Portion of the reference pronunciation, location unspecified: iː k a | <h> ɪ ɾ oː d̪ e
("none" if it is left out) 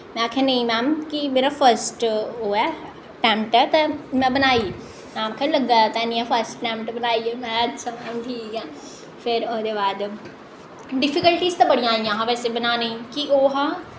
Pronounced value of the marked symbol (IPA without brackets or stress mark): f